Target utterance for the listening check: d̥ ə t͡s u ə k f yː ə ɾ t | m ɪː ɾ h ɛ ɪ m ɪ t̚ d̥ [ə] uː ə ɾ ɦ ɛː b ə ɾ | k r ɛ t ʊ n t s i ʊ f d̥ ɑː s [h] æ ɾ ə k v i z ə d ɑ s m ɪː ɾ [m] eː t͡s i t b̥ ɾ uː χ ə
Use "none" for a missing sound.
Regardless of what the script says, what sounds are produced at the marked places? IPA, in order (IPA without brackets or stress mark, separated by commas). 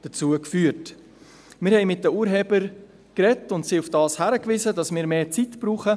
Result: ə, h, m